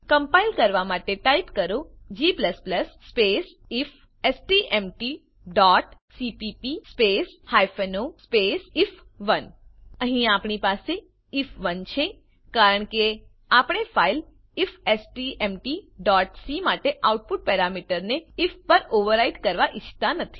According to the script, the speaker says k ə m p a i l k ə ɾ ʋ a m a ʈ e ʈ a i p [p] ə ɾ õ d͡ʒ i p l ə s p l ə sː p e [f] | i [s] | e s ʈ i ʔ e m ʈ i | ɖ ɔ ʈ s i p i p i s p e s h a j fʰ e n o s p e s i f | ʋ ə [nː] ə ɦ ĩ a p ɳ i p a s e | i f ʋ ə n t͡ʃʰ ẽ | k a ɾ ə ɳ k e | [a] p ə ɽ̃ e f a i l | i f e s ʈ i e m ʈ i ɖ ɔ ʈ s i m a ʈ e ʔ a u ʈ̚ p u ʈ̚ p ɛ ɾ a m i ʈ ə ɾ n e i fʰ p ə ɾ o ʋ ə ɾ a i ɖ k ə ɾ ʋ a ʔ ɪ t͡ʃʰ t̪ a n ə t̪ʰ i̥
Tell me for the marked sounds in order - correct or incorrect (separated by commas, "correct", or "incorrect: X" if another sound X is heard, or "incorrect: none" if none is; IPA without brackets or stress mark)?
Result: incorrect: k, incorrect: s, incorrect: f, incorrect: n, correct